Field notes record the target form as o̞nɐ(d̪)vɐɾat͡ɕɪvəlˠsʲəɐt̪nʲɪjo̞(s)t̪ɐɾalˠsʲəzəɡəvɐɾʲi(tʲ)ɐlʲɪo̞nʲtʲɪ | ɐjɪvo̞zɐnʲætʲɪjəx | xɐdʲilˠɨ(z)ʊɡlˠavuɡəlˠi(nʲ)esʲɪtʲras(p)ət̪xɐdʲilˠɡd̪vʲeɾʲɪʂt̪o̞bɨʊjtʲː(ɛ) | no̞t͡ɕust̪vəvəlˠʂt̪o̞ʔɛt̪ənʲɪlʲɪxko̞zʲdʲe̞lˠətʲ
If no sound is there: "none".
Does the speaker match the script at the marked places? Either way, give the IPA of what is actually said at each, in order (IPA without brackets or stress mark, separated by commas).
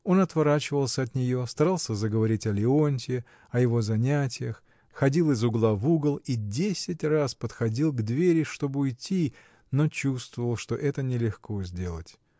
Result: t̪, s, tʲ, z, dʲ, p, i